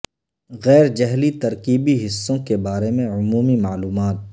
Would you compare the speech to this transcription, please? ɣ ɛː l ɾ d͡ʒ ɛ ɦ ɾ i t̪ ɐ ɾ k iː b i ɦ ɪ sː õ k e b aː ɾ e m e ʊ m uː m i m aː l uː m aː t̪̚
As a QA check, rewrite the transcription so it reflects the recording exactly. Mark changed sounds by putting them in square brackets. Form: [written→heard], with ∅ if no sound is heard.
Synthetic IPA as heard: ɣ ɛː [l→∅] ɾ d͡ʒ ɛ ɦ [ɾ→l] i t̪ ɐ ɾ k iː b i ɦ ɪ sː õ k e b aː ɾ e m [e→ẽ] ʊ m uː m i m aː l uː m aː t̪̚